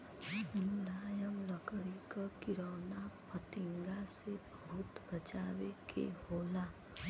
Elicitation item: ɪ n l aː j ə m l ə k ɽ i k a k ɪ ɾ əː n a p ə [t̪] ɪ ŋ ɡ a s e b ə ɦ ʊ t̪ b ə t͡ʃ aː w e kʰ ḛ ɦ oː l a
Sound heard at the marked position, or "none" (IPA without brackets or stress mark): t̪